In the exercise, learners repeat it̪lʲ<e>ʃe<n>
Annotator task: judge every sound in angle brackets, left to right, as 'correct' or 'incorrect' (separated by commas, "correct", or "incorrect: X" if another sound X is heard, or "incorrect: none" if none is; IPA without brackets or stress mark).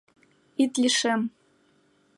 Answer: incorrect: i, incorrect: m